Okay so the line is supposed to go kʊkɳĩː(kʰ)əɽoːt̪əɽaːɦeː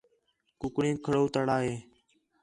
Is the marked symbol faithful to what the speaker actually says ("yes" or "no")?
yes